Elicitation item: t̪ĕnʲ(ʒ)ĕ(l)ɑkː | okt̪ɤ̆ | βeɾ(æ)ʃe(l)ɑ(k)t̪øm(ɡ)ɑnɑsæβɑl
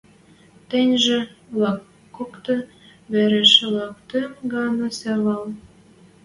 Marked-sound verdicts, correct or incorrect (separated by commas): correct, correct, incorrect, correct, correct, correct